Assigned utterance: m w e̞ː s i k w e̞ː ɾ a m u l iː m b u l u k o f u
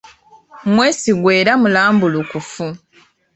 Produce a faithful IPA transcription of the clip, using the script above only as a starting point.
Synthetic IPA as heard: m w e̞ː s i ɡ w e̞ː ɾ a m u l aː m b u l u k u f u